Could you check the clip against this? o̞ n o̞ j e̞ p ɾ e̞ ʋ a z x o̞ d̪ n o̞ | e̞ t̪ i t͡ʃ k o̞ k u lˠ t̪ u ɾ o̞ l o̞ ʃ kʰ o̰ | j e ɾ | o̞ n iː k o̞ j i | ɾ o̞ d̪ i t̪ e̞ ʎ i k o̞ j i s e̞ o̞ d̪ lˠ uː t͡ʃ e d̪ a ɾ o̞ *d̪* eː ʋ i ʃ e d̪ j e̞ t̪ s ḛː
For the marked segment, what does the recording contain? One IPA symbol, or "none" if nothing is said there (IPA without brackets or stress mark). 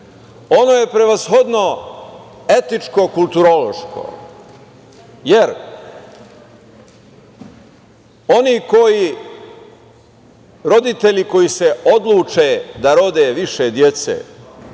d̪